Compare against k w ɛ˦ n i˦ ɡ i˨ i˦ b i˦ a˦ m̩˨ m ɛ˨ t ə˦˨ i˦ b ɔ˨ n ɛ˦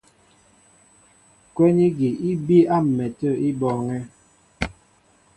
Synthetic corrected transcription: k w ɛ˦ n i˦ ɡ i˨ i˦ b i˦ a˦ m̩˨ m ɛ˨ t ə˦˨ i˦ b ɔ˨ ŋ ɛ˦